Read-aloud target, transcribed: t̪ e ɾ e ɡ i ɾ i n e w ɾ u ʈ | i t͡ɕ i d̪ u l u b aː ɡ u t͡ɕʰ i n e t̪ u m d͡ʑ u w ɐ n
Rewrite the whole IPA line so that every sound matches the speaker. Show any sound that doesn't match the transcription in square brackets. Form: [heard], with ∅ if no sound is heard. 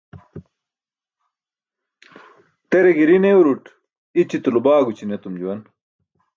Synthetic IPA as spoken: t̪ e ɾ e ɡ i ɾ i n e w ɾ u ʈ | i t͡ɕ i [t̪] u l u b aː ɡ u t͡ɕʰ i n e t̪ u m d͡ʑ u w ɐ n